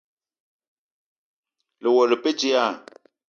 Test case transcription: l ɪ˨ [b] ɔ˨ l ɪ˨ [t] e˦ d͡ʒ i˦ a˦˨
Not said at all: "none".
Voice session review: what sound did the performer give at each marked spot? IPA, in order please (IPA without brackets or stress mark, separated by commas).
w, p